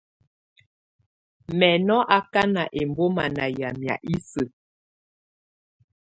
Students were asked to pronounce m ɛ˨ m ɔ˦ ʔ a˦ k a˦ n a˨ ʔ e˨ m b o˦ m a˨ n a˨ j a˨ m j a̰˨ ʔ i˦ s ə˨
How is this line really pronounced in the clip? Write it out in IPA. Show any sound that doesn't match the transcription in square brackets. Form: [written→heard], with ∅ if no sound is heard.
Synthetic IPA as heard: m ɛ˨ [m→n] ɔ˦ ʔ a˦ k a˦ n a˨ ʔ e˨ m b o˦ m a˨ n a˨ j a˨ m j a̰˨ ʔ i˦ s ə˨

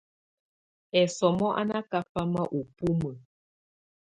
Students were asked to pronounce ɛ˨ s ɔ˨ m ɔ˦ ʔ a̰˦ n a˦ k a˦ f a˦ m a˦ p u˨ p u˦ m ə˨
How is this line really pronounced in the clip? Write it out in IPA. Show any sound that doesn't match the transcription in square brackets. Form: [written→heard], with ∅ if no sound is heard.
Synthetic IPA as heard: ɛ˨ s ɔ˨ m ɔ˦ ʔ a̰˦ n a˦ k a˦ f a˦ m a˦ [p→ʔ] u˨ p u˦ m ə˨

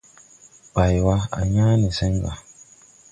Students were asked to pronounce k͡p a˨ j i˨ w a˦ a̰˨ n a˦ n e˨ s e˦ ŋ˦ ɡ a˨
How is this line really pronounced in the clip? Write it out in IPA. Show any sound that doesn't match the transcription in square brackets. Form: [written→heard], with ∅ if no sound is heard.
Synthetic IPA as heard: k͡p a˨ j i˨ w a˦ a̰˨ [n→ɲ] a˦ n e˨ s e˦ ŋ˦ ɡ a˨

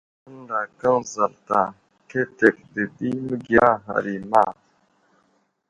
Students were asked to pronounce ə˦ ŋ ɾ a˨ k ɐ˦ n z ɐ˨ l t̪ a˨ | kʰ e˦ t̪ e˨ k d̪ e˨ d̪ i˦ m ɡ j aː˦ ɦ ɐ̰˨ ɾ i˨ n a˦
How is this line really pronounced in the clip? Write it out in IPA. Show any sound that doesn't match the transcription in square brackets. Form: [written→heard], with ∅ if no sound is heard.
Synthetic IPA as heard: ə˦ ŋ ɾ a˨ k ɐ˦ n z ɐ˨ l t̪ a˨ | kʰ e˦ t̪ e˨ k d̪ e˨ d̪ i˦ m ɡ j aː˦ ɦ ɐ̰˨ ɾ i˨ [n→m] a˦

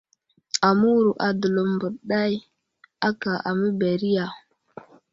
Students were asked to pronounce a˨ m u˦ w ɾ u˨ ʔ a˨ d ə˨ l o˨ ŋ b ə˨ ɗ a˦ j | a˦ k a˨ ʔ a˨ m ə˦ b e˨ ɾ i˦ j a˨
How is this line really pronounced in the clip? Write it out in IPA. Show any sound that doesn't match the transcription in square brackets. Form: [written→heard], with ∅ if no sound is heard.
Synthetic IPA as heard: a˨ m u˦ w ɾ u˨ ʔ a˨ d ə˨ l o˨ [ŋ→m] b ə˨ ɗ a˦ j | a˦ k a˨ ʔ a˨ m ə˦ b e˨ ɾ i˦ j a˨

